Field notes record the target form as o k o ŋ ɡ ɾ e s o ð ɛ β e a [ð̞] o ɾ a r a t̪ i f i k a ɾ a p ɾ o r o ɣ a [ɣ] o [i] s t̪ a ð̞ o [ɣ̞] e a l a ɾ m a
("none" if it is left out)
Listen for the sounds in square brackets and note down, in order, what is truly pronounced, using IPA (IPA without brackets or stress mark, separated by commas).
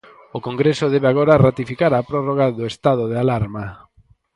ɣ̞, ð, e, ð̞